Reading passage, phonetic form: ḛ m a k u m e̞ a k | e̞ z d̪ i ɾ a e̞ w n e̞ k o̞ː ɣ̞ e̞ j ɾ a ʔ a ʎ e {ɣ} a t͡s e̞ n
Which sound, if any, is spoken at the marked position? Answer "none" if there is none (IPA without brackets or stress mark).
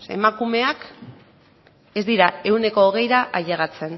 ɣ